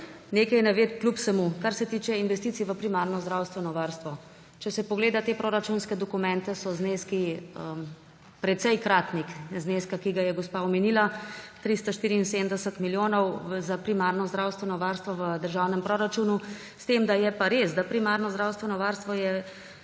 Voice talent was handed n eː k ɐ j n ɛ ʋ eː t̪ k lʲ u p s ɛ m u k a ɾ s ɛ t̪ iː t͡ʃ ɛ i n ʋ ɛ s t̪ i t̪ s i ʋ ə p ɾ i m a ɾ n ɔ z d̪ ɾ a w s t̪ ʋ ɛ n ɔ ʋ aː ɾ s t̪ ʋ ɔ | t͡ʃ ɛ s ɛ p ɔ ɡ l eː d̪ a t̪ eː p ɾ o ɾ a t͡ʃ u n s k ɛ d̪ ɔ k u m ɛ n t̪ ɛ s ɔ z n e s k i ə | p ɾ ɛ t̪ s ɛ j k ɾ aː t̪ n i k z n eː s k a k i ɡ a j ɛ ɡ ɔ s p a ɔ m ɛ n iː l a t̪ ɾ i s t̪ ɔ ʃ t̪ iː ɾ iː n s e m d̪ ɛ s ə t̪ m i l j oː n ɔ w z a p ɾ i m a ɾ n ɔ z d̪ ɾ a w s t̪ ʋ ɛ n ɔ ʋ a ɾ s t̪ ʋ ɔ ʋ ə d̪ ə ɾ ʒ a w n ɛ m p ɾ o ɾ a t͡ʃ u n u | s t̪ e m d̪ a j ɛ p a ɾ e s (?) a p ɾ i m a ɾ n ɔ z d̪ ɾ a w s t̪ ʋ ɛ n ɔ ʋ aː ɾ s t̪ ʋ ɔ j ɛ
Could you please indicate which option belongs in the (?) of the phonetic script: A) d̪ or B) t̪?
A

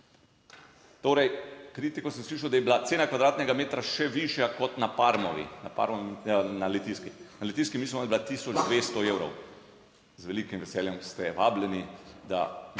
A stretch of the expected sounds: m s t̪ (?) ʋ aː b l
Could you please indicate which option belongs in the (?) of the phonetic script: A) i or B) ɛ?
B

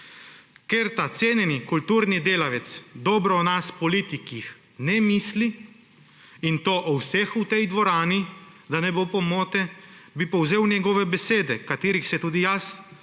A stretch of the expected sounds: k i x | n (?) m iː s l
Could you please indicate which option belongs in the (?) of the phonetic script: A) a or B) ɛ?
B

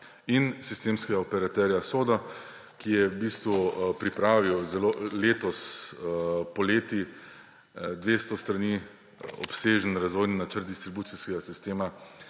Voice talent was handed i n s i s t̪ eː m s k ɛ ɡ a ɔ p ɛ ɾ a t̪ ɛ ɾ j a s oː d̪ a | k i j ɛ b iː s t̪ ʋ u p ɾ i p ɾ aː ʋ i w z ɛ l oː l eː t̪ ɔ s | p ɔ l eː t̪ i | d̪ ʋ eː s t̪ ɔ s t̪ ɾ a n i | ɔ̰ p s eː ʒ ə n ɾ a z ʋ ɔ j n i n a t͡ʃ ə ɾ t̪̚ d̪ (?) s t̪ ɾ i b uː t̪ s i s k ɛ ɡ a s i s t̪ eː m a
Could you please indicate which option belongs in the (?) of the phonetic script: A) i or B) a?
A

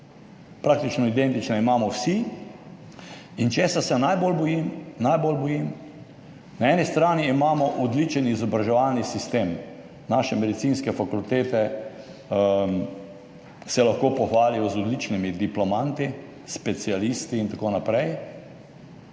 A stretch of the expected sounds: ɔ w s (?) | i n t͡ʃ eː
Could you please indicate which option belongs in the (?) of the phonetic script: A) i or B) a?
A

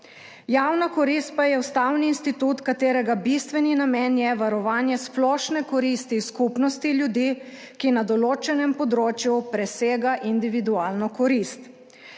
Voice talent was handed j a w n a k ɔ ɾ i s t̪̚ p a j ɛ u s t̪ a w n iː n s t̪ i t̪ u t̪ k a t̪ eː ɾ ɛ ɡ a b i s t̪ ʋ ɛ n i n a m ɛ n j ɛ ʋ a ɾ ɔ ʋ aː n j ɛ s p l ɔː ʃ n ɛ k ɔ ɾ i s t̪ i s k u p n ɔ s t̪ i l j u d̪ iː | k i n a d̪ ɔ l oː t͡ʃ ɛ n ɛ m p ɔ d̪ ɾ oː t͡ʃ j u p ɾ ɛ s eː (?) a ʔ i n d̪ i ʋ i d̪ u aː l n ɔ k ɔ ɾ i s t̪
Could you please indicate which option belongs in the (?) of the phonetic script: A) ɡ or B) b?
A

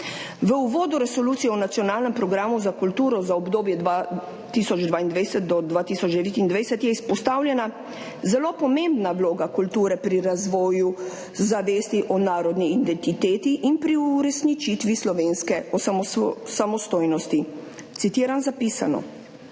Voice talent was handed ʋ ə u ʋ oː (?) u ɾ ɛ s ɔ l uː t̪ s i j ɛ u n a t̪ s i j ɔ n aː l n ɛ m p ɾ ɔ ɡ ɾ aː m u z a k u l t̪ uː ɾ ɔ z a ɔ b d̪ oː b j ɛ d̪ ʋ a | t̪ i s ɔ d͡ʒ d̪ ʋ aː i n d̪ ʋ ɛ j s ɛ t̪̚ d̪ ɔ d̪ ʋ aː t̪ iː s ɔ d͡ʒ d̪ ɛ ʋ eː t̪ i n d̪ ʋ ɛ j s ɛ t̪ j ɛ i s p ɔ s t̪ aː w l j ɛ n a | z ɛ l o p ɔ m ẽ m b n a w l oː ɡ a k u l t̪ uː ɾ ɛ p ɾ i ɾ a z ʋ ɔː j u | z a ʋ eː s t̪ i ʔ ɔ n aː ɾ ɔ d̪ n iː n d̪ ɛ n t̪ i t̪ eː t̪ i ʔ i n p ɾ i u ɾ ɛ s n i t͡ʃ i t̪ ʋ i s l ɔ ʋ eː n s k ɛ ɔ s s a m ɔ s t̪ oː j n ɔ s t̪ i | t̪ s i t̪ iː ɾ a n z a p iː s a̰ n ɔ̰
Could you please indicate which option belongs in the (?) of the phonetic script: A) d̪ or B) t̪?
A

